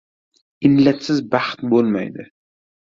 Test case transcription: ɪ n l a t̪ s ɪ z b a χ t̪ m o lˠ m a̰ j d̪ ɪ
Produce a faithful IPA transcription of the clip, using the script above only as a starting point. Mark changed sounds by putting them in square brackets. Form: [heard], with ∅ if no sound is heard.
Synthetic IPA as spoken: ɪ n l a t̪ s ɪ z b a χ t̪ [b] o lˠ m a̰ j d̪ ɪ